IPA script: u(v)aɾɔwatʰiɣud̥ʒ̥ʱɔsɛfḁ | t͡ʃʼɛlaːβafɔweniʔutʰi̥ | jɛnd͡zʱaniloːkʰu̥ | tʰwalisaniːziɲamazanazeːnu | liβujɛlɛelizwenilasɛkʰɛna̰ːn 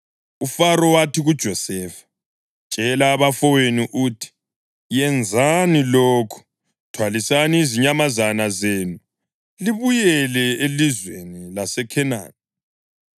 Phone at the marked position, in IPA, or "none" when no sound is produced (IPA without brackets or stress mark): f